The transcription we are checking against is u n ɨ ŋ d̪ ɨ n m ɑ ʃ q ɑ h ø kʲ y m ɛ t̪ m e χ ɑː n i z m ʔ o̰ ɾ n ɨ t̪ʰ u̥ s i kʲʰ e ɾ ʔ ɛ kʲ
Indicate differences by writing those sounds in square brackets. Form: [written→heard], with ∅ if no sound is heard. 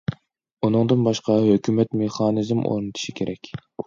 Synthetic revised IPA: u n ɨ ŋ d̪ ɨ n [m→b] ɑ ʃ q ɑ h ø kʲ y m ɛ t̪ m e χ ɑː n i z m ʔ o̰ ɾ n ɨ t̪ʰ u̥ [s→ʃ] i kʲʰ e ɾ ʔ ɛ kʲ